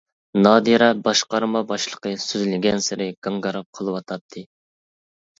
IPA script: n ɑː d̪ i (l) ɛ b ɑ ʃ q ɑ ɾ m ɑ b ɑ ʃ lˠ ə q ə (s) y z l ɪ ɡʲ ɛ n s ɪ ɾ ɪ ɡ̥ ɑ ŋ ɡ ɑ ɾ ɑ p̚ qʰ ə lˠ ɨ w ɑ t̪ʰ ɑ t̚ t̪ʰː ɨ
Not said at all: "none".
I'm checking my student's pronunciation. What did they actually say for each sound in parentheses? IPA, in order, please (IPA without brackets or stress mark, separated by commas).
ɾ, s